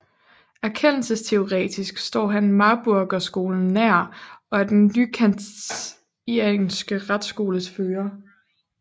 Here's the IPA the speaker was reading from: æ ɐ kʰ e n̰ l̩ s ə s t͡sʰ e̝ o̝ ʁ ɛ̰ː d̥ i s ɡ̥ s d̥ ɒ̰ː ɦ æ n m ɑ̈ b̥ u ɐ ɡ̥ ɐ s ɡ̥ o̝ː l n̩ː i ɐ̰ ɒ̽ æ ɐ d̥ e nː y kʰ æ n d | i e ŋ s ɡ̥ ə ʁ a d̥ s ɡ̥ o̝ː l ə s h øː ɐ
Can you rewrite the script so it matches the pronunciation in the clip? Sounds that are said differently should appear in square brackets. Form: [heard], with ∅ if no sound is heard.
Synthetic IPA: æ ɐ kʰ e n̰ l̩ s ə s t͡sʰ e̝ o̝ ʁ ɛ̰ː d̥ i s ɡ̥ s d̥ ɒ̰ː ɦ æ n m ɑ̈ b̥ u ɐ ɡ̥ ɐ s ɡ̥ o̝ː l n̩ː [æ] ɐ̰ ɒ̽ æ ɐ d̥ e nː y kʰ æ n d | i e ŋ s ɡ̥ ə ʁ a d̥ s ɡ̥ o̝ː l ə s [f] øː ɐ